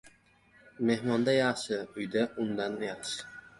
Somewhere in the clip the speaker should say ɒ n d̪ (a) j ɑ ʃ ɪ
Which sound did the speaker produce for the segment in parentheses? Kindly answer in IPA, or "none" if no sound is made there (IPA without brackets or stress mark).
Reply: a